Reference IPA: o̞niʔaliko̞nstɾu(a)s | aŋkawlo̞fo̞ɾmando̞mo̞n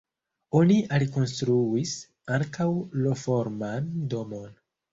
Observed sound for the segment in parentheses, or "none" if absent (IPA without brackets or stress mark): i